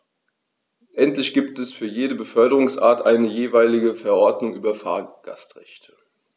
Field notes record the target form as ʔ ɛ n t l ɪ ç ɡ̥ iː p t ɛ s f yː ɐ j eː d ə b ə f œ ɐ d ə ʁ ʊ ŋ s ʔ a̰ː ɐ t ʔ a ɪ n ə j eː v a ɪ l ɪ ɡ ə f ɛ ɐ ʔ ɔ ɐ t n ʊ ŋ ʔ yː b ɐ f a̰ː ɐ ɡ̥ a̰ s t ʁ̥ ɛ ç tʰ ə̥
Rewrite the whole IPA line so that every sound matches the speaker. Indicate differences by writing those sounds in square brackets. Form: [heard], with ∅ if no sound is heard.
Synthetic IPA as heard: ʔ ɛ n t l ɪ ç ɡ̥ iː p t ɛ s f yː ɐ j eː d ə b ə f œ ɐ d ə ʁ ʊ ŋ s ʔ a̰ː ɐ t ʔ a ɪ n ə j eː v a ɪ l ɪ ɡ ə f ɛ ɐ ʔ ɔ ɐ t n ʊ ŋ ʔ yː b ɐ f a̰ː ɐ ɡ̥ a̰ s t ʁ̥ ɛ ç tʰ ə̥